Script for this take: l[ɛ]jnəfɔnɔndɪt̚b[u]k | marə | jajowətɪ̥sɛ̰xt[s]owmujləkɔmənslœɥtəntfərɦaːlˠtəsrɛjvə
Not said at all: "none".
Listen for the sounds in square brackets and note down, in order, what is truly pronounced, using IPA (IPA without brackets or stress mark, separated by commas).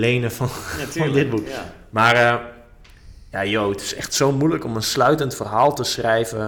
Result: e, u, s